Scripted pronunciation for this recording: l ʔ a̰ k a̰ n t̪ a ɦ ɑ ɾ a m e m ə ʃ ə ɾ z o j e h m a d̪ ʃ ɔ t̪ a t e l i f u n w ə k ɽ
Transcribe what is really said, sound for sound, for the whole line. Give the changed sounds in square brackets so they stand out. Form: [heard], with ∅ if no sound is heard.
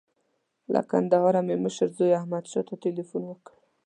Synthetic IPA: l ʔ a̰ k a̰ n [d̪] a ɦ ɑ ɾ a m e m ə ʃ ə ɾ z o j [a] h m a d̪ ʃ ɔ t̪ a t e l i f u n w ə k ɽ